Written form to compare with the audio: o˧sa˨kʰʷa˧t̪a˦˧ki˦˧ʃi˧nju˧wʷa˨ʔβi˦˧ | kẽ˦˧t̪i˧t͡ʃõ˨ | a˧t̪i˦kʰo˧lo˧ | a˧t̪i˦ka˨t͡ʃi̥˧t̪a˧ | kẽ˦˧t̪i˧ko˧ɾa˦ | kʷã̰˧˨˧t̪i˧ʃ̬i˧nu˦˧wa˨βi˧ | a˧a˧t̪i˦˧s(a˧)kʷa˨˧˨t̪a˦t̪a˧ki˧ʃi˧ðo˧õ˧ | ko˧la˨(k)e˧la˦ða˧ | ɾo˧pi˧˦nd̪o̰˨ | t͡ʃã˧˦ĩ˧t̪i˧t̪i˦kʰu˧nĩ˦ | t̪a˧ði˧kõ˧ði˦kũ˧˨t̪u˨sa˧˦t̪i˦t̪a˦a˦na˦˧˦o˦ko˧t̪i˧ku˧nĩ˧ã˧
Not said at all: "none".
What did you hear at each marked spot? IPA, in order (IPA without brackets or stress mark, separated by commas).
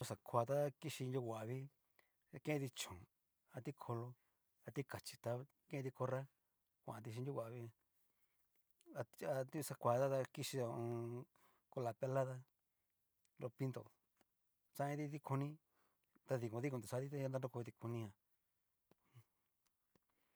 a˧, p